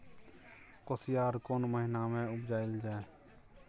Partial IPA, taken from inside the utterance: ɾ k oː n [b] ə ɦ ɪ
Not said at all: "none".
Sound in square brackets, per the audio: m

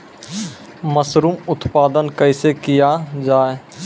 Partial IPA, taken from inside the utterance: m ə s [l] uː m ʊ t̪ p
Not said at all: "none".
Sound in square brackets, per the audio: ɾ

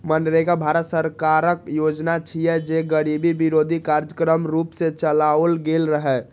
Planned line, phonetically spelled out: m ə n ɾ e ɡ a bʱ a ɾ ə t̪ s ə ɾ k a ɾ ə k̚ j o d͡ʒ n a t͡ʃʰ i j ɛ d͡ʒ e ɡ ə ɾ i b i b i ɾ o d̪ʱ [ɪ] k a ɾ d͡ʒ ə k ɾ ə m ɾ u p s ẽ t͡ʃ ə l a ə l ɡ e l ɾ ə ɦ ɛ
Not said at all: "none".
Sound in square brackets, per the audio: i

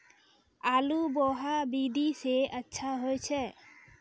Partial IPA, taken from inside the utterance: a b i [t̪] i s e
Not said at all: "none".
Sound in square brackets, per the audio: d̪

